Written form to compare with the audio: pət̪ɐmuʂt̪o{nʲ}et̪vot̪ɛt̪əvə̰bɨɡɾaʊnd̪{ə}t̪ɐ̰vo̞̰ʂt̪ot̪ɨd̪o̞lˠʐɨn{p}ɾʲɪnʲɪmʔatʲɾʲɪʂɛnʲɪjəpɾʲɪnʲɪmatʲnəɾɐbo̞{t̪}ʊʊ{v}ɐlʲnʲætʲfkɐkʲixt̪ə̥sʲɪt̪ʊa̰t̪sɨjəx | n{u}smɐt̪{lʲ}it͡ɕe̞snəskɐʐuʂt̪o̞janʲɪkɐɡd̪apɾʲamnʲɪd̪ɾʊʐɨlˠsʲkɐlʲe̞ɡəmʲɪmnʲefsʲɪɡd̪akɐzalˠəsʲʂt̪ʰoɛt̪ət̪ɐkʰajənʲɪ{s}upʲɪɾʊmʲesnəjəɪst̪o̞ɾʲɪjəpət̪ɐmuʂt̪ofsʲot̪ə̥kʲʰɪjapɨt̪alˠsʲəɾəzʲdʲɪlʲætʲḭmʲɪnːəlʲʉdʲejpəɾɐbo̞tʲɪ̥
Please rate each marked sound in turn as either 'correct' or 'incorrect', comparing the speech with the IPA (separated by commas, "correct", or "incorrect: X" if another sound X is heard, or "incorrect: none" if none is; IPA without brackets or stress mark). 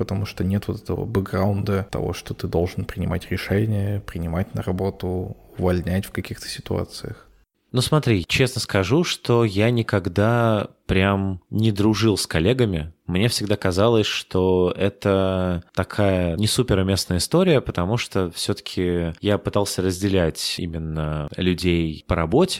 correct, correct, correct, correct, correct, correct, incorrect: ɾʲ, correct